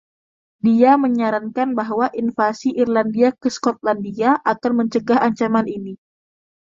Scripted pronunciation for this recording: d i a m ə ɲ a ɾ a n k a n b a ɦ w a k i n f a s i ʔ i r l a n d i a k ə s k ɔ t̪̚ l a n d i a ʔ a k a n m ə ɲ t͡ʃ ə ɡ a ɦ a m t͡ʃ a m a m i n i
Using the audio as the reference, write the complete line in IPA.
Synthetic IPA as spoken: d i a m ə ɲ a ɾ a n k a n b a ɦ w a ʔ i n f a s i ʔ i r l a n d i a k ə s k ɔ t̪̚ l a n d i a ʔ a k a n m ə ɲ t͡ʃ ə ɡ a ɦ a ɲ t͡ʃ a m a n i n i